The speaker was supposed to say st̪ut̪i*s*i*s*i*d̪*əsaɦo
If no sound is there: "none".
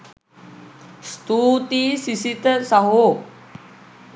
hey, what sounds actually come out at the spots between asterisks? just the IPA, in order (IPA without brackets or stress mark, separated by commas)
s, s, t̪